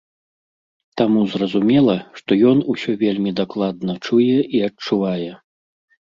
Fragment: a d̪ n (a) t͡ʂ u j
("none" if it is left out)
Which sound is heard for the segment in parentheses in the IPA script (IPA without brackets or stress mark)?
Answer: ɐ